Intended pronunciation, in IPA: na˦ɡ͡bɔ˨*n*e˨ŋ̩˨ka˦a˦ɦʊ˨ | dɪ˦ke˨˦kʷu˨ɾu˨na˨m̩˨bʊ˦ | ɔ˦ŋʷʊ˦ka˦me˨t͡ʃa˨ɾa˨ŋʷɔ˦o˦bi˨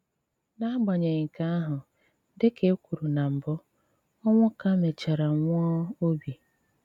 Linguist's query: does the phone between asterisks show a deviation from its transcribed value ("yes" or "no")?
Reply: yes